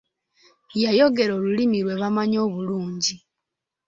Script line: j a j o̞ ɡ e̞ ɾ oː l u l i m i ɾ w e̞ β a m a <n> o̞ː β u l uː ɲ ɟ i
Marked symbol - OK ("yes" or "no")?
no